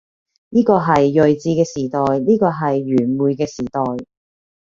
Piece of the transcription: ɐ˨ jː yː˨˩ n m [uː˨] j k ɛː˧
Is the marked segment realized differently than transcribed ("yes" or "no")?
no